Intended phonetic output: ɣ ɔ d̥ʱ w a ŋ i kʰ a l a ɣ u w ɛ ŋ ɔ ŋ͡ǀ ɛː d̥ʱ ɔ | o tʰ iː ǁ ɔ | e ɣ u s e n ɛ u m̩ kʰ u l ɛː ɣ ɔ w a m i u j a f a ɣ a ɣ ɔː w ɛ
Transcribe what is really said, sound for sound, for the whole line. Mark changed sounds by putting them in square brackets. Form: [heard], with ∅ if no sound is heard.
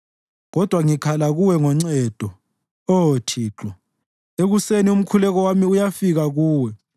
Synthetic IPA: ɣ ɔ d̥ʱ w a ŋ i kʰ a l a ɣ u w ɛ ŋ ɔ ŋ͡ǀ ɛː d̥ʱ ɔ | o tʰ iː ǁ ɔ | e ɣ u s e n [i] u m̩ kʰ u l [ɛ] ɣ ɔ w a m i u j a f [i] ɣ a ɣ [uː] w ɛ